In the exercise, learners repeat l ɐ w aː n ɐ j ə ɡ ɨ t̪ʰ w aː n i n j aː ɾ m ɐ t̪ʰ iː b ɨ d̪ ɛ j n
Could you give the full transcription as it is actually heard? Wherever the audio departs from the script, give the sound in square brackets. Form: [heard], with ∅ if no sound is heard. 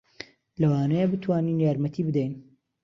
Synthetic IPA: l ɐ w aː n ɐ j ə [b] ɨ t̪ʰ w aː n i n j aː ɾ m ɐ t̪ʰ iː b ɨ d̪ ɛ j n

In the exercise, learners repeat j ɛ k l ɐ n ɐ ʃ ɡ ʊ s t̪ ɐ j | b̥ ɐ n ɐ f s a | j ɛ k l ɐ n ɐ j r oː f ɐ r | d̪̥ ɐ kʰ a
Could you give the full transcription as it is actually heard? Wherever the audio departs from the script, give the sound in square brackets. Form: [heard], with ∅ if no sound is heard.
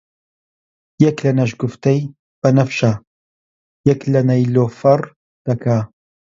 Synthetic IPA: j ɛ k l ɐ n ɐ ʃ ɡ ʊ [f] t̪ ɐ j | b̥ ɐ n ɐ f [ʃ] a | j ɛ k l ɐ n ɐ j [l] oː f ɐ r | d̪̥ ɐ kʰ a

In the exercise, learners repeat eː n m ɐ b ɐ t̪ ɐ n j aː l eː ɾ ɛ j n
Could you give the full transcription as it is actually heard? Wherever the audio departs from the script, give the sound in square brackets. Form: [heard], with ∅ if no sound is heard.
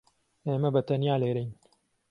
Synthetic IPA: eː [∅] m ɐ b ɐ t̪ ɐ n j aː l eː ɾ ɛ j n

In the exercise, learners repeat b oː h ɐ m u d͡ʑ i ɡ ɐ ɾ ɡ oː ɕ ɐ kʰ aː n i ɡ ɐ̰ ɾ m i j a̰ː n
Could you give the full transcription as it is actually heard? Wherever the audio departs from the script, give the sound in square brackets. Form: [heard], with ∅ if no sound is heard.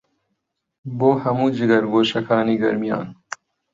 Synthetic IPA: b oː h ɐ m u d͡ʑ i ɡ ɐ ɾ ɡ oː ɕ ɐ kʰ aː n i ɡ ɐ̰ ɾ m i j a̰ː n

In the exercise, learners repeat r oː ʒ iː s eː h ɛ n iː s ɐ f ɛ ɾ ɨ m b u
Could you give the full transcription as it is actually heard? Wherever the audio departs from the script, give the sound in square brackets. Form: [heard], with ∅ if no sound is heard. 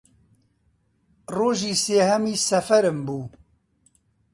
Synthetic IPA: r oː ʒ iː s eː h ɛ [m] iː s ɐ f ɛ ɾ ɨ m b [uː]

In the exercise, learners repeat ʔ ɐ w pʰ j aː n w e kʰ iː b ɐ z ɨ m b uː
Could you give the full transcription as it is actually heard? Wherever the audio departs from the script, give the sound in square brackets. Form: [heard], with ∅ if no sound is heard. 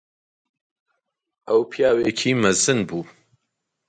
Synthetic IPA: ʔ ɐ w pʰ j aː [∅] w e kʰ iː [m] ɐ z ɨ [n] b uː

